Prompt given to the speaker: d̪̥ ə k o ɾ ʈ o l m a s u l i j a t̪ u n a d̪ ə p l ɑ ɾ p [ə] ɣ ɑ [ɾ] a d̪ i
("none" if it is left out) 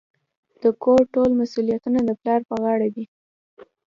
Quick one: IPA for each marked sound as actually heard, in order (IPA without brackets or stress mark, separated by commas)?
ə, ɽ